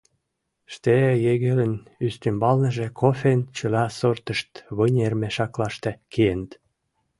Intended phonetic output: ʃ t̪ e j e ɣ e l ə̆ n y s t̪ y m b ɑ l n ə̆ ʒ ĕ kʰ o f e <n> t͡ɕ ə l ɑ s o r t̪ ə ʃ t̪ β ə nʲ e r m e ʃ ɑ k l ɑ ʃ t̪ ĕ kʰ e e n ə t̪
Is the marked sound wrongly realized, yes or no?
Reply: no